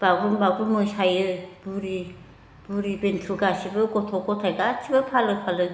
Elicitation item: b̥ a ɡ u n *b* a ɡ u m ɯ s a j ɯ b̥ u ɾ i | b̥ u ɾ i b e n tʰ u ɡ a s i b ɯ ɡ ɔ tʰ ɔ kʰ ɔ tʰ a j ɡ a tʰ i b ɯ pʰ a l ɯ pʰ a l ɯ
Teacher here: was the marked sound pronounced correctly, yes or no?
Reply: yes